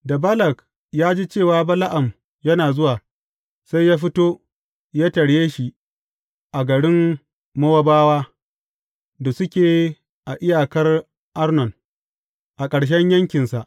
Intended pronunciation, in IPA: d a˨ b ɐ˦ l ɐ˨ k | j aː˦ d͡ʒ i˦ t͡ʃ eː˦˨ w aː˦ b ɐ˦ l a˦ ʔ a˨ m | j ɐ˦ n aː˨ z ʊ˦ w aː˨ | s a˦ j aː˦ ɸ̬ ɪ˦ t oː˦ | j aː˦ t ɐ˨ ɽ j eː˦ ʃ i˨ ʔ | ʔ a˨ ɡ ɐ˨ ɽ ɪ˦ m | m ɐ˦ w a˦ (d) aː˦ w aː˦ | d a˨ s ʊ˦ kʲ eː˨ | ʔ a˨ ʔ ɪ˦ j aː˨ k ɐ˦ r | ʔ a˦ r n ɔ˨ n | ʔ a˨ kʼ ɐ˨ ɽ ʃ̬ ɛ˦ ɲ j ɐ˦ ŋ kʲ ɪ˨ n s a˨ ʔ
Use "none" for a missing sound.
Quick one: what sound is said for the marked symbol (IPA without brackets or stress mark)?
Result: b